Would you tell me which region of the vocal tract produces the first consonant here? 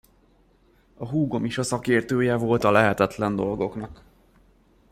throat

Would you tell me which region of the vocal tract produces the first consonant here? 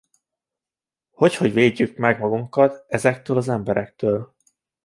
throat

